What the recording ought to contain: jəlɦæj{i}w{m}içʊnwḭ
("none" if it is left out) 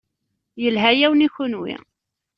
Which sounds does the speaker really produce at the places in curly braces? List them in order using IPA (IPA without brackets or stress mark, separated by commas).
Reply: æ, n